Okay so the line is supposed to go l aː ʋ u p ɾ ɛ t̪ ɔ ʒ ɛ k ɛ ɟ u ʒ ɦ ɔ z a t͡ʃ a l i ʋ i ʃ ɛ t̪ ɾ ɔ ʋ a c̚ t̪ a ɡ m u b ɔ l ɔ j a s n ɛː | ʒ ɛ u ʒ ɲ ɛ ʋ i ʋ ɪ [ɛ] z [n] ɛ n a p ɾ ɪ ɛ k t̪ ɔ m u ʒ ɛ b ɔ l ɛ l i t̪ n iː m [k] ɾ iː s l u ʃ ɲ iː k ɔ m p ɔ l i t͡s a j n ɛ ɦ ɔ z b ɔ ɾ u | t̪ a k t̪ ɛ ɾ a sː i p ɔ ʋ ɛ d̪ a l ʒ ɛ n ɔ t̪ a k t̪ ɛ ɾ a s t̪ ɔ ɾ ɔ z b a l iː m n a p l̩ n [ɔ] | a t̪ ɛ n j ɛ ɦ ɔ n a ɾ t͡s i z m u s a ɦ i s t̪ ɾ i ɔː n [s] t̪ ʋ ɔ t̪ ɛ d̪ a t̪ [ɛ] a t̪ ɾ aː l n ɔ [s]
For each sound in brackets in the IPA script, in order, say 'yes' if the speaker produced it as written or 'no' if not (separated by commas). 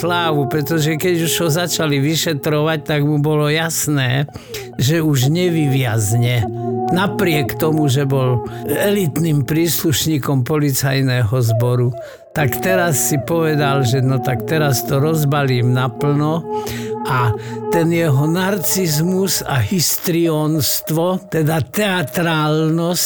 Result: no, no, no, yes, yes, yes, yes